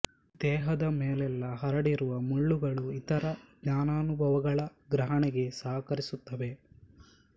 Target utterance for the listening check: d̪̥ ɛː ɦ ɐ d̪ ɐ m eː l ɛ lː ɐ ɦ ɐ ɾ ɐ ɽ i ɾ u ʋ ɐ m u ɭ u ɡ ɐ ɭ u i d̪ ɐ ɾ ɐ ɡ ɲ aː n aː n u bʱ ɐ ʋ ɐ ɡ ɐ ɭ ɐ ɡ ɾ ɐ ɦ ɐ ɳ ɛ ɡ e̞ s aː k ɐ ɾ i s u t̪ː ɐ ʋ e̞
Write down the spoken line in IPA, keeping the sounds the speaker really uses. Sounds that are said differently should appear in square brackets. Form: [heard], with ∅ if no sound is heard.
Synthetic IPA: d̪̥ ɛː ɦ ɐ d̪ ɐ m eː l ɛ lː ɐ ɦ ɐ ɾ ɐ ɽ i ɾ u ʋ ɐ m u [ɭː] u ɡ ɐ ɭ u i [t̪] ɐ ɾ ɐ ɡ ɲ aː n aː n u bʱ ɐ ʋ ɐ ɡ ɐ ɭ ɐ ɡ ɾ ɐ ɦ ɐ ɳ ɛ ɡ e̞ s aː k ɐ ɾ i s u t̪ː ɐ ʋ e̞